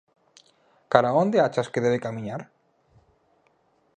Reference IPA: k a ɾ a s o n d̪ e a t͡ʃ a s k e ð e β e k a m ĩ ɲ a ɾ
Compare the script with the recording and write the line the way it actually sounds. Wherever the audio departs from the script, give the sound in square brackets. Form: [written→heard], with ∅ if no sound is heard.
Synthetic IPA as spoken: k a ɾ a [s→∅] o n d̪ e a t͡ʃ a s k e ð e β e k a m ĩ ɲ a ɾ